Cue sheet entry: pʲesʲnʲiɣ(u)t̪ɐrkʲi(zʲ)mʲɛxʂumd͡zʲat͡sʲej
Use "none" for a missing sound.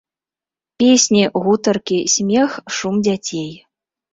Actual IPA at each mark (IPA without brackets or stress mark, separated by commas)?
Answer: u, sʲ